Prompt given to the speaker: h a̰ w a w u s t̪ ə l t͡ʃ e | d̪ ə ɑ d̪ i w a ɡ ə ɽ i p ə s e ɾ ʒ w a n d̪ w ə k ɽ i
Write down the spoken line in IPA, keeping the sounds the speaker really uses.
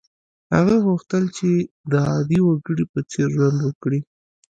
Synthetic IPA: h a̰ ɣ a ɣ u x t̪ ə l t͡ʃ e | d̪ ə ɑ d̪ i w a ɡ ə ɽ i p ə t͡s e ɾ ʒ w a n d̪ w ə k ɽ i